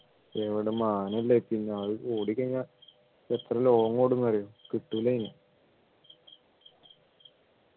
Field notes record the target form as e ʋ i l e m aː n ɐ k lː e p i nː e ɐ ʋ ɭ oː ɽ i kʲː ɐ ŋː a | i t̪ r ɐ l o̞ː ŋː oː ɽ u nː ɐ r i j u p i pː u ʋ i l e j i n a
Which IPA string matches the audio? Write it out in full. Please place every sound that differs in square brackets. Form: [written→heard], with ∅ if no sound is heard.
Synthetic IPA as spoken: e ʋ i [l→ɽ] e m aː n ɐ [k→∅] lː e p i nː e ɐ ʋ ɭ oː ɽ i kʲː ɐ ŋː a | [i→e] t̪ r ɐ l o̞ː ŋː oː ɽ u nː ɐ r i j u [p→k] i [pː→ʈː] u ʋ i l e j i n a